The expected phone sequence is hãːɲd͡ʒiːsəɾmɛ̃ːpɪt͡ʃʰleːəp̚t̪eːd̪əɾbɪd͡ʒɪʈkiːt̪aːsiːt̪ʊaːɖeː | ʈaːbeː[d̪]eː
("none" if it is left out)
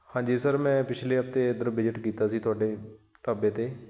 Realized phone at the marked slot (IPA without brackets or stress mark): t̪